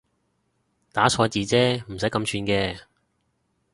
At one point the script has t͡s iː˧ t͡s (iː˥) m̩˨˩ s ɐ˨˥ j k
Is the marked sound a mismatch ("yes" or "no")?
yes